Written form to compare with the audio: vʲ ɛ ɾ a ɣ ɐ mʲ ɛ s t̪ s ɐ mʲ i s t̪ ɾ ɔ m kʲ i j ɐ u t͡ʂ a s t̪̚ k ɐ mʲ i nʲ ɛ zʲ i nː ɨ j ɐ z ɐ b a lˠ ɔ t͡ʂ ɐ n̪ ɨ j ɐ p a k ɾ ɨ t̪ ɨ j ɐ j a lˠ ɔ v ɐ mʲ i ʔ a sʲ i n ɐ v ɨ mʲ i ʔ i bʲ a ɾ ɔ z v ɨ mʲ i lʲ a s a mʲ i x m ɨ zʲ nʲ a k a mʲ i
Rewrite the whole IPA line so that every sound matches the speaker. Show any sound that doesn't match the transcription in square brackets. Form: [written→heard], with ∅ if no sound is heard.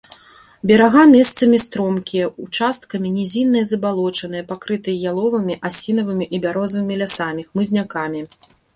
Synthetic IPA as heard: [vʲ→bʲ] ɛ ɾ a ɣ [ɐ→a] mʲ ɛ s t̪ s ɐ mʲ i s t̪ ɾ ɔ m kʲ i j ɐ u t͡ʂ a s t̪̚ k ɐ mʲ i nʲ ɛ zʲ i nː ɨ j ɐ z ɐ b a lˠ ɔ t͡ʂ ɐ n̪ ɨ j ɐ p a k ɾ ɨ t̪ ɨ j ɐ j a lˠ ɔ v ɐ mʲ i ʔ a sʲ i n ɐ v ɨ mʲ i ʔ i bʲ a ɾ ɔ z v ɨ mʲ i lʲ a s a mʲ i x m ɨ zʲ nʲ a k a mʲ i